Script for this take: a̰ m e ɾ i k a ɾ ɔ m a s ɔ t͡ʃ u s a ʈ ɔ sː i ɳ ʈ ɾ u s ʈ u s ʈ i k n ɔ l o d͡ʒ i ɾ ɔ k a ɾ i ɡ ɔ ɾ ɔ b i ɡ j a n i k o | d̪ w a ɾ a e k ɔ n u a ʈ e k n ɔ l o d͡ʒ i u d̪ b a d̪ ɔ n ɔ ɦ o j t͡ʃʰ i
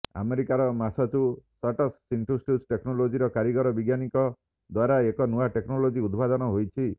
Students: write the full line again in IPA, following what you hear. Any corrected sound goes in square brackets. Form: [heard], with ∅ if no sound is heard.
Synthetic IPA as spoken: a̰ m e ɾ i k a ɾ ɔ m a s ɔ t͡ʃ u s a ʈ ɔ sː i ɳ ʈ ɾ u s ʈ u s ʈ [e] k n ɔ l o d͡ʒ i ɾ ɔ k a ɾ i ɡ ɔ ɾ ɔ b i ɡ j a n i k [ɔ] | d̪ w a ɾ a e k ɔ n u a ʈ e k n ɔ l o d͡ʒ i u d̪ b a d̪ ɔ n ɔ ɦ o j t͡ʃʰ i